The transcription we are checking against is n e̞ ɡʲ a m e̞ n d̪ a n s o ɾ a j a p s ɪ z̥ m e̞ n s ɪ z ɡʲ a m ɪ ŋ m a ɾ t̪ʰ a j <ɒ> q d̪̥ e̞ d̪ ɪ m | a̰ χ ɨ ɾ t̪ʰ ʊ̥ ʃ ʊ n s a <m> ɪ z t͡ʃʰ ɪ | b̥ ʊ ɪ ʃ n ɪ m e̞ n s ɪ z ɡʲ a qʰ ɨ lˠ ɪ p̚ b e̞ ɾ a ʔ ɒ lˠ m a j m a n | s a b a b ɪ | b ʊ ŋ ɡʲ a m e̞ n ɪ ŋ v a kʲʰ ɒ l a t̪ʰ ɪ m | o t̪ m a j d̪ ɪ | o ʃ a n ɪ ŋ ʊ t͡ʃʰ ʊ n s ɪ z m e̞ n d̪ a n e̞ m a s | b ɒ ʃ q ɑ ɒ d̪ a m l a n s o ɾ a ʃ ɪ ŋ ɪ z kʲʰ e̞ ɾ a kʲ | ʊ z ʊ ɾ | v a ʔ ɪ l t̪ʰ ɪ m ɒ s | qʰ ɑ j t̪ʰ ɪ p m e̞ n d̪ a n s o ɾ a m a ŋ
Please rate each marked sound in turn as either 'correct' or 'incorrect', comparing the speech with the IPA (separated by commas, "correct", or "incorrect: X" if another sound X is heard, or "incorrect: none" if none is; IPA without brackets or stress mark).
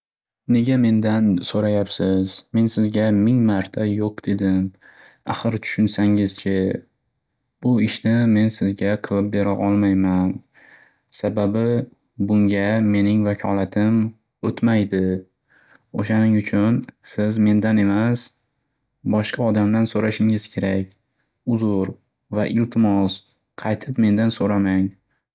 incorrect: o, incorrect: ŋ